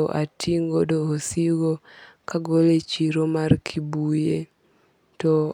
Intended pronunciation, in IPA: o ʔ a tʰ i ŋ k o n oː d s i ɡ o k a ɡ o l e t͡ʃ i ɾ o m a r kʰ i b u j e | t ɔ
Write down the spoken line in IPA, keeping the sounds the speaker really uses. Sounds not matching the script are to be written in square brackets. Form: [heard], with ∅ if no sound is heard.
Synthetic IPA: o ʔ a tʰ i ŋ [ɡ] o [d] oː [∅] s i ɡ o k a ɡ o l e t͡ʃ i ɾ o m a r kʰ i b u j e | t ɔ

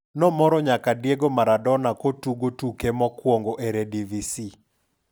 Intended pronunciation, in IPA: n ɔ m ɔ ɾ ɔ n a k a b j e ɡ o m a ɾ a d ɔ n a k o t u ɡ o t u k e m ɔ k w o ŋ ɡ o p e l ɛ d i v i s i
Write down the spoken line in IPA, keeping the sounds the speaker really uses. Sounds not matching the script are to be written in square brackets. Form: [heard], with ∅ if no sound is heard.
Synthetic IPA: n ɔ m ɔ ɾ ɔ [ɲ] a k a [d] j e ɡ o m a ɾ a d ɔ n a k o t u ɡ o t u k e m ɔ k w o ŋ ɡ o [ʔ] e [ɾ] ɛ d i v i s i

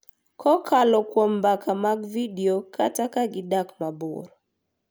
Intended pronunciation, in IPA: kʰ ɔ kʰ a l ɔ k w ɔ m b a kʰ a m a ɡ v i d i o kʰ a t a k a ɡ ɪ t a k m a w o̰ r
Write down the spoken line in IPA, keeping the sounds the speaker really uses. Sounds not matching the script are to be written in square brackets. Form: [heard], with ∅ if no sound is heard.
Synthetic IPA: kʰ ɔ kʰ a l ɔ k w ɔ m b a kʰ a m a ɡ v i d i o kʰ a t a k a ɡ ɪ [d] a k m a [b] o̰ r

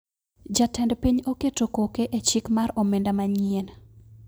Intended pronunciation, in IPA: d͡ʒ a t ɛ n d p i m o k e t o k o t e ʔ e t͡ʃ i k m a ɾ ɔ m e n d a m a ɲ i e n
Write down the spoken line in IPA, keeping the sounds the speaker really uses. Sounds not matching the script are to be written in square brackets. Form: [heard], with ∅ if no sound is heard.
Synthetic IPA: d͡ʒ a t ɛ n d p i [ɲ] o k e t o k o [k] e ʔ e t͡ʃ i k m a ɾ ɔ m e n d a m a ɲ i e n

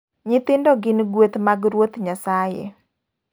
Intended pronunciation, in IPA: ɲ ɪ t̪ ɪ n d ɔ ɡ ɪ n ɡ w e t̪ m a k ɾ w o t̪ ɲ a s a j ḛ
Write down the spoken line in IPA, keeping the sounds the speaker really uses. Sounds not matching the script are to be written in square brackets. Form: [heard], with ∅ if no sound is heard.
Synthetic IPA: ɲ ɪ t̪ ɪ n d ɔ ɡ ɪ n ɡ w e t̪ m a [ɡ] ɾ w o t̪ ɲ a s a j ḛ

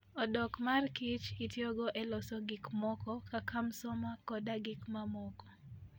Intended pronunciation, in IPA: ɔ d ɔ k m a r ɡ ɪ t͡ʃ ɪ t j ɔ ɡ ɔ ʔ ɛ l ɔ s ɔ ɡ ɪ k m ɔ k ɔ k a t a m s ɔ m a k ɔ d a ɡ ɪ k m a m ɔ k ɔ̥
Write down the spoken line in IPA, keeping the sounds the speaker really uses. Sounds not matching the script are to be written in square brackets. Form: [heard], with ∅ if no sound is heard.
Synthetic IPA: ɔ d ɔ k m a r [k] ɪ t͡ʃ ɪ t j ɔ ɡ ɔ ʔ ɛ l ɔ s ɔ ɡ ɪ k m ɔ k ɔ k a [k] a m s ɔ m a k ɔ d a ɡ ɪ k m a m ɔ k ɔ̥

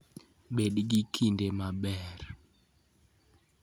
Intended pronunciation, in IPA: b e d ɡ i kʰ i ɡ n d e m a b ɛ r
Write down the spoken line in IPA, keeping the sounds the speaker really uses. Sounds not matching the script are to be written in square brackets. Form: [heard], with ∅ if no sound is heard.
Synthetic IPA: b e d ɡ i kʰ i [∅] n d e m a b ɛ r

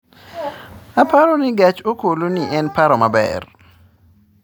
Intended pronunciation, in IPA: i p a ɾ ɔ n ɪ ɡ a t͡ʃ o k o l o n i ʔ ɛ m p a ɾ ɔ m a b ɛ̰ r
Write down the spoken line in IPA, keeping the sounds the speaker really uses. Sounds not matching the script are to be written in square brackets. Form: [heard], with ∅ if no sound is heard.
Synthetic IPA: [a] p a ɾ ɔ n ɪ ɡ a t͡ʃ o k o l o n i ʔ ɛ [n] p a ɾ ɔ m a b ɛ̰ r

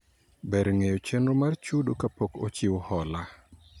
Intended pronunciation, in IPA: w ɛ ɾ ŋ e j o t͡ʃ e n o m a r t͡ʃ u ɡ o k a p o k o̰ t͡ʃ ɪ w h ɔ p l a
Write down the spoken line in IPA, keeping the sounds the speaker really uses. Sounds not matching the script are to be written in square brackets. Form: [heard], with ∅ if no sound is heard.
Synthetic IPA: [b] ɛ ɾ ŋ e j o t͡ʃ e n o m a r t͡ʃ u [d] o k a p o k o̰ t͡ʃ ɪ w h ɔ [∅] l a

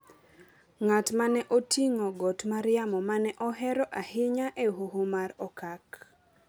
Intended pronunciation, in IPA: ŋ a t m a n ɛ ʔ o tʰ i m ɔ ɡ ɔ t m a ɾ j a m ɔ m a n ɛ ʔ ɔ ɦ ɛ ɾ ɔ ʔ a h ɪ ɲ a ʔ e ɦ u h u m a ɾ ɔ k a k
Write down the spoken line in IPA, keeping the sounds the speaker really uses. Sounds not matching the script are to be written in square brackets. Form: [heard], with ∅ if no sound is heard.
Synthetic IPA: ŋ a t m a n ɛ ʔ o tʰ i [ŋ] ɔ ɡ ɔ t m a ɾ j a m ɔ m a n ɛ ʔ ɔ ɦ ɛ ɾ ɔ ʔ a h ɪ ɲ a ʔ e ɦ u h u m a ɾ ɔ k a k

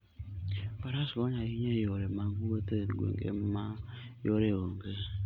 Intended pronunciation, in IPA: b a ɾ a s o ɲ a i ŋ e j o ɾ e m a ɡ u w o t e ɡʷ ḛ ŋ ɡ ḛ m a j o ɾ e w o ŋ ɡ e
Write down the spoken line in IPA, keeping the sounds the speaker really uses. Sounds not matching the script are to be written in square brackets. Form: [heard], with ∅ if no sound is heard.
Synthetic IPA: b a ɾ a s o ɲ a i [ɲ] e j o ɾ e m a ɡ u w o t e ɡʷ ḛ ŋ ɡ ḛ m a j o ɾ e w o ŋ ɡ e

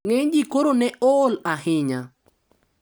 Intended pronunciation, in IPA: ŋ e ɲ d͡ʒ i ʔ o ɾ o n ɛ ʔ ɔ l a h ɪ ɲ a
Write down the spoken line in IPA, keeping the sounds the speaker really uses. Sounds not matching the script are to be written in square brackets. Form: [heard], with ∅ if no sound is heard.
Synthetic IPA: ŋ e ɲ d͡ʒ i [k] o ɾ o n ɛ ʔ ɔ l a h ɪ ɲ a

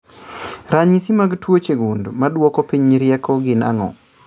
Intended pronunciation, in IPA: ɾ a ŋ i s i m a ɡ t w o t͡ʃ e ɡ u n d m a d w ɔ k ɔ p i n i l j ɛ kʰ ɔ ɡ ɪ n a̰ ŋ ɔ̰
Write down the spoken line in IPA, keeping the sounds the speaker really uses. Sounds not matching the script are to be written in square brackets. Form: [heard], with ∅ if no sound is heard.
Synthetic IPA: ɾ a [ɲ] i s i m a ɡ t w o t͡ʃ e ɡ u n d m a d w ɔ k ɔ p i [ɲ] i [ɾ] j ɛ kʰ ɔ ɡ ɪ n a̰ ŋ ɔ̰

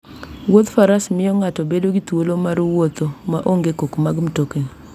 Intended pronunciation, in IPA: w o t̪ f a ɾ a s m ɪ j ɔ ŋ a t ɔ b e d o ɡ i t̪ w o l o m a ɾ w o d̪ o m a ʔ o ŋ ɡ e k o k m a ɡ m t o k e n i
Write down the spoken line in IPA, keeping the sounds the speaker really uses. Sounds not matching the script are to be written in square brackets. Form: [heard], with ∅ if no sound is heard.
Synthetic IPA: w o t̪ f a ɾ a s m ɪ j ɔ ŋ a t ɔ b e d o ɡ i t̪ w o l o m a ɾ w o [t̪] o m a ʔ o ŋ ɡ e k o k m a ɡ m t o k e n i

